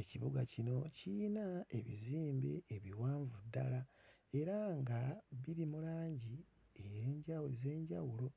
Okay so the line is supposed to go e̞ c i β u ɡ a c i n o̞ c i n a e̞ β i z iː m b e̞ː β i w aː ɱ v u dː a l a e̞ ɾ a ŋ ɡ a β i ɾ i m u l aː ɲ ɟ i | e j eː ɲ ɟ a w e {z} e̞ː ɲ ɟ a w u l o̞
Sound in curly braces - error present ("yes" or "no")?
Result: no